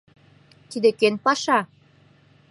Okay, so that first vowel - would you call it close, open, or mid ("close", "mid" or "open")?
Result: close